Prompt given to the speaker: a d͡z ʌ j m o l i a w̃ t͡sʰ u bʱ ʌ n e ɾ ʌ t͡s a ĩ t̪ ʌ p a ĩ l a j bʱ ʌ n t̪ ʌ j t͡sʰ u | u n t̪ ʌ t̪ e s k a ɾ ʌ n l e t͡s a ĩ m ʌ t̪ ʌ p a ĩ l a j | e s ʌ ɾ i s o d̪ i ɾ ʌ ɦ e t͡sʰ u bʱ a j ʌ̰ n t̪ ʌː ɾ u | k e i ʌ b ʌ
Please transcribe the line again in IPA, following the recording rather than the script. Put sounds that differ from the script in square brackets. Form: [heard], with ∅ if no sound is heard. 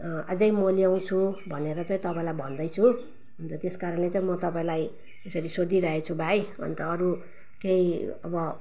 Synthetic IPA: a d͡z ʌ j m o l i a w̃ t͡sʰ u bʱ ʌ n e ɾ ʌ t͡s a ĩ t̪ ʌ p a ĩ l a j bʱ ʌ n [d̪] ʌ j t͡sʰ u | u n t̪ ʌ t̪ e s k a ɾ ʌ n l e t͡s a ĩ m ʌ t̪ ʌ p a ĩ l a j | e s ʌ ɾ i s o d̪ i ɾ ʌ ɦ e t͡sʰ u bʱ a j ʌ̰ n t̪ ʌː ɾ u | k e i ʌ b ʌ